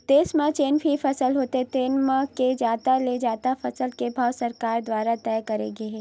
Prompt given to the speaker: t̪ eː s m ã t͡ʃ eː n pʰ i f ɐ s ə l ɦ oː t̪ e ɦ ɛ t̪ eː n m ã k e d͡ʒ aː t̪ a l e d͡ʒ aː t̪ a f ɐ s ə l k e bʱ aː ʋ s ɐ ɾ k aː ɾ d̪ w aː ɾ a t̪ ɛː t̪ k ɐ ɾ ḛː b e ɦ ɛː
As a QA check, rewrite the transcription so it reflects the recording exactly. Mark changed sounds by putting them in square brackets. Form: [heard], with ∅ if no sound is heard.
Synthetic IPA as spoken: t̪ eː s m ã t͡ʃ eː n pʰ i f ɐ s ə l ɦ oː t̪ e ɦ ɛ t̪ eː n m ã k e d͡ʒ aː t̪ a l e d͡ʒ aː t̪ a f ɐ s ə l k e bʱ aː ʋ s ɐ ɾ k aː ɾ d̪ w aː ɾ a t̪ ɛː [∅] k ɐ ɾ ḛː [ɡ] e ɦ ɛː